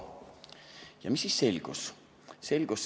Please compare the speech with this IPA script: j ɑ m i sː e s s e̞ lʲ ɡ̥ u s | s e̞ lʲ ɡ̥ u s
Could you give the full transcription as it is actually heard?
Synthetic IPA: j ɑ m i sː i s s e̞ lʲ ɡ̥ u s | s e̞ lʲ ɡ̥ u s